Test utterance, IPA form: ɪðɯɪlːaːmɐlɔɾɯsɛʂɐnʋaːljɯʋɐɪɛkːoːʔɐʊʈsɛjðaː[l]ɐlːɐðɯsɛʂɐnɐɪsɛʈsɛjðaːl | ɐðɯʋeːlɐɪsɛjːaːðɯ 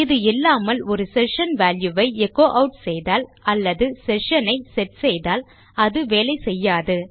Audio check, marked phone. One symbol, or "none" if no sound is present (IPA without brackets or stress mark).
l